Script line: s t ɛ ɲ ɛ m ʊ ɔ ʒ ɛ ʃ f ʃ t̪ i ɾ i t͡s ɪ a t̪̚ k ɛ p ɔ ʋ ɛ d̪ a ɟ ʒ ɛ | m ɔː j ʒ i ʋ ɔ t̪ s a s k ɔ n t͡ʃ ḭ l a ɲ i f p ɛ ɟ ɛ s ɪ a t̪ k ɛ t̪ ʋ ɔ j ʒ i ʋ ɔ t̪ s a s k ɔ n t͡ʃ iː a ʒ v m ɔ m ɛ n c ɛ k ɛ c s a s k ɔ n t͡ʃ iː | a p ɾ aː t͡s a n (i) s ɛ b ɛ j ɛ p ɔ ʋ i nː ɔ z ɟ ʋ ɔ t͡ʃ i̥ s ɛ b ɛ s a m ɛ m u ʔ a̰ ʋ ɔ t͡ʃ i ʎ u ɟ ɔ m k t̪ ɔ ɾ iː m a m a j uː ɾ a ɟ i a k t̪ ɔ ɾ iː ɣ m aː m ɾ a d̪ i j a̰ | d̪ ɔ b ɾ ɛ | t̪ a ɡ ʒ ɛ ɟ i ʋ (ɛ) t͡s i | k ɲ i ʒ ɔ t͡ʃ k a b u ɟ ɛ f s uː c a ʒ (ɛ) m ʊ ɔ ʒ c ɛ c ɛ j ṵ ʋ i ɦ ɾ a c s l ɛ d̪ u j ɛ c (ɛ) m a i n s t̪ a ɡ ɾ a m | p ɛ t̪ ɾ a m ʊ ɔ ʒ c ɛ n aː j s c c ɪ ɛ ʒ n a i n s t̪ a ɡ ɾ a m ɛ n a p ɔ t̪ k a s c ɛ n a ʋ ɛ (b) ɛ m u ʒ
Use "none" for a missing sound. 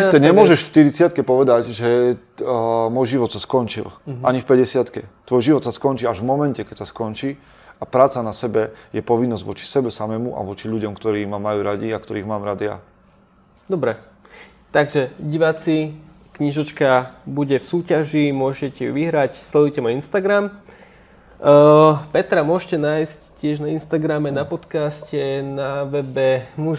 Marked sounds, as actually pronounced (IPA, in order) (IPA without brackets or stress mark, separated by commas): a, a, i, ɛ, b